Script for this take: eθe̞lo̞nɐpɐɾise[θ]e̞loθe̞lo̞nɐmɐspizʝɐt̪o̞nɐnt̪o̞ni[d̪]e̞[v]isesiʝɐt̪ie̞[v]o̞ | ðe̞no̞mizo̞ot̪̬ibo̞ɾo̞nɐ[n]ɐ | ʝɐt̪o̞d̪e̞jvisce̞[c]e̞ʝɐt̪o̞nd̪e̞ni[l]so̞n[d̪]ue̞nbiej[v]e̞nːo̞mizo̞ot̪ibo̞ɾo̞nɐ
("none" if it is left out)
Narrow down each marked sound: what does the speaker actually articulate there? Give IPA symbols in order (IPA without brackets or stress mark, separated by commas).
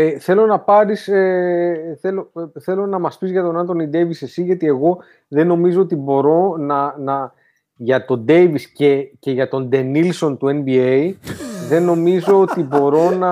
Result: θ, d̪, v, ɣ, n, c, l, t̪, ð